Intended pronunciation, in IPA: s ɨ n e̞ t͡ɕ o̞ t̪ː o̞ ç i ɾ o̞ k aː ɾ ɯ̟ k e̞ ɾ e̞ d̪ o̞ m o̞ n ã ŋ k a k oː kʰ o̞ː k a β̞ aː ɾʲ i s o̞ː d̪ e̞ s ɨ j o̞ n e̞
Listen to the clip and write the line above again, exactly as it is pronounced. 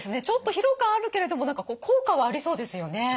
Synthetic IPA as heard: s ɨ n e̞ t͡ɕ o̞ t̪ː o̞ ç i ɾ o̞ k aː ɾ ɯ̟ k e̞ ɾ e̞ d̪ o̞ m o̞ n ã ŋ k a k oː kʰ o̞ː k a β̞ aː ɾʲ i s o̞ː d̪ e̞ s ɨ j o̞ n e̞